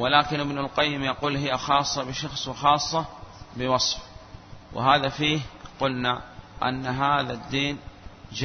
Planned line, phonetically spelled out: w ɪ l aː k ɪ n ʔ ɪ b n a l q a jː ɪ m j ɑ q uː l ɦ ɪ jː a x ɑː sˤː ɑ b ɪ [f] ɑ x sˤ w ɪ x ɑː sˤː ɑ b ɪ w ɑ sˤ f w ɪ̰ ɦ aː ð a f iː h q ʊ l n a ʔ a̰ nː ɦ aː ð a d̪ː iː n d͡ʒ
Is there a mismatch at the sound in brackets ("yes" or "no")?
yes